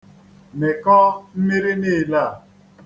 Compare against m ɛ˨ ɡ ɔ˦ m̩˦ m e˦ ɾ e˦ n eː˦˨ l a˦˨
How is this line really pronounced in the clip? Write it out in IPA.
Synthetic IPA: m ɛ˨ k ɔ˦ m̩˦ m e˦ ɾ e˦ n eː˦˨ l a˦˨